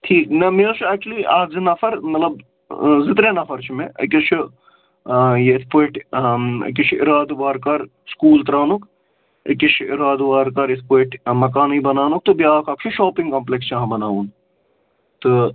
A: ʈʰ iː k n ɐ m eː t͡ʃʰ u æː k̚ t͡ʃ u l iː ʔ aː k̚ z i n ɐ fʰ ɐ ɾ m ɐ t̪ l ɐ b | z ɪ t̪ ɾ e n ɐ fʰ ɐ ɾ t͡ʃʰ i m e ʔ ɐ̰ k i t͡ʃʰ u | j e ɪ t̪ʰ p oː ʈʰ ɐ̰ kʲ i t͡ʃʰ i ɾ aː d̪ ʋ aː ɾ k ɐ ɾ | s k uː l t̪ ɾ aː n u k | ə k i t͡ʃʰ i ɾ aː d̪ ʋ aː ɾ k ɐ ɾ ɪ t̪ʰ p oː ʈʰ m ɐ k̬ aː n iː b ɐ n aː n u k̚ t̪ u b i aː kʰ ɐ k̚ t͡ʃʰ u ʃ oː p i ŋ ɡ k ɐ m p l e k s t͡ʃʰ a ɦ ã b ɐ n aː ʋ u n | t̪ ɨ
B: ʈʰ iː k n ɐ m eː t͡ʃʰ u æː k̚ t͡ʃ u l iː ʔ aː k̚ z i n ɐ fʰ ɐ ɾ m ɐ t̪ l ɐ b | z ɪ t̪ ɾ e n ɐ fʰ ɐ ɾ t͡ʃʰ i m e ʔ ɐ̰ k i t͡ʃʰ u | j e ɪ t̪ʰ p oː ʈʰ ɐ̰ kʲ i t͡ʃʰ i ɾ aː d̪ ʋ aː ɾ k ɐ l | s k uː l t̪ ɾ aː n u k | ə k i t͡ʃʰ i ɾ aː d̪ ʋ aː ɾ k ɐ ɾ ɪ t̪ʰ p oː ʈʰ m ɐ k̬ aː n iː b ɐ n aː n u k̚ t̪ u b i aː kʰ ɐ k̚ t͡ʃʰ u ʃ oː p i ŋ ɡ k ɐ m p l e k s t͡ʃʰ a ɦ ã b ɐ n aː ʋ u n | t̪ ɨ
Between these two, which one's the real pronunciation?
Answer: A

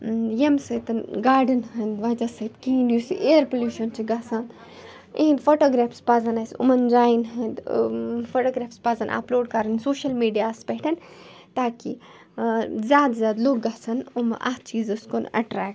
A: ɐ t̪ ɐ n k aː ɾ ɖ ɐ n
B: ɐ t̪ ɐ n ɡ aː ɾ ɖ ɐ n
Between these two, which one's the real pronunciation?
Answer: B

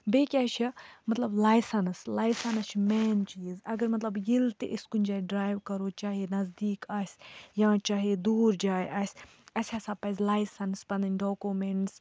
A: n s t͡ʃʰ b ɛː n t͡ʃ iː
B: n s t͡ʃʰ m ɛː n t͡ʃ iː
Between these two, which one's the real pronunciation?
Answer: B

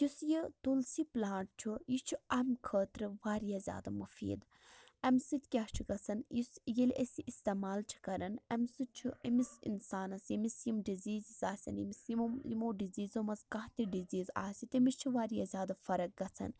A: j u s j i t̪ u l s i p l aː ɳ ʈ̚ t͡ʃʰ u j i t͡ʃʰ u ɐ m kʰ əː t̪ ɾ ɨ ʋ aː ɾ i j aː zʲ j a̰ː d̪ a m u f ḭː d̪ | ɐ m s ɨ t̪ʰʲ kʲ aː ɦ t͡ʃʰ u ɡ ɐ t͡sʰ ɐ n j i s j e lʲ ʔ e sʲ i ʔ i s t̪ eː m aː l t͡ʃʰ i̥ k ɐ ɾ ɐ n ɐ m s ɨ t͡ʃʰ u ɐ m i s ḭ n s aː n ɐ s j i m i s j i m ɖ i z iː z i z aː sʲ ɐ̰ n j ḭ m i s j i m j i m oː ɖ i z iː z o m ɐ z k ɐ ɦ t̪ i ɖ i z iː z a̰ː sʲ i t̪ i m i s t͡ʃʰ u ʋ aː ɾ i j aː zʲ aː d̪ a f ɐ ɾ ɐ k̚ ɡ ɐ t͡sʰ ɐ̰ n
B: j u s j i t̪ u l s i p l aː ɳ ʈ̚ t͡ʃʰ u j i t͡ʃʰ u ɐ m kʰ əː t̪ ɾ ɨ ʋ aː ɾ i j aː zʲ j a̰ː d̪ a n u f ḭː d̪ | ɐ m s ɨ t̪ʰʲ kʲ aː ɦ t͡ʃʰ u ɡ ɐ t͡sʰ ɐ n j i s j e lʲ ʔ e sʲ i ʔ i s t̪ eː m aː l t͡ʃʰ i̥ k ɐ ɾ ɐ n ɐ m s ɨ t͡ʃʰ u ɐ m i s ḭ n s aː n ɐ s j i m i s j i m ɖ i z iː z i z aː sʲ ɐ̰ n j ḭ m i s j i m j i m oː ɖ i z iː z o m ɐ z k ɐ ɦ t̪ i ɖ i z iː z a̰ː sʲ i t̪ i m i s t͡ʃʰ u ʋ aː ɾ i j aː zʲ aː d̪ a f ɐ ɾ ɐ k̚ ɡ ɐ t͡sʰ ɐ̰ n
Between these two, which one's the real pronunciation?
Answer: A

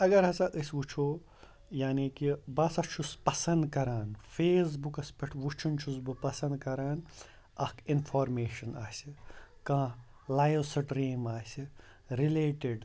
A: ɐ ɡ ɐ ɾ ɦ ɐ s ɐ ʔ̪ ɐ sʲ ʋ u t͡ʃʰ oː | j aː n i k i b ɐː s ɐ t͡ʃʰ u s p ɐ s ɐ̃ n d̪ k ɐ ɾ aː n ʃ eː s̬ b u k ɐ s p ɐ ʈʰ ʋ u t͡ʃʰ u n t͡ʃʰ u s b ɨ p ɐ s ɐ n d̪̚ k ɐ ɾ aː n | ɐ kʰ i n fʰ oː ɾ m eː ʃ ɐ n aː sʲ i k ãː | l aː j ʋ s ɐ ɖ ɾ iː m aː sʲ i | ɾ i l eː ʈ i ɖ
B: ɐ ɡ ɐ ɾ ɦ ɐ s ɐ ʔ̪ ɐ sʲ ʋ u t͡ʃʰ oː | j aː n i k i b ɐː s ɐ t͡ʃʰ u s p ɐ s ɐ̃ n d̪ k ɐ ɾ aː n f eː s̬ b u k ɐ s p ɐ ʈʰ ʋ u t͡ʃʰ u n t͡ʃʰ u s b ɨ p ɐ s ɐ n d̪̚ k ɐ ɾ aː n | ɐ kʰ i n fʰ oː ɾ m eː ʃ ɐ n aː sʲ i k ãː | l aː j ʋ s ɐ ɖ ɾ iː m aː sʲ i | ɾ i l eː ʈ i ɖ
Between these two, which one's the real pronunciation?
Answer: B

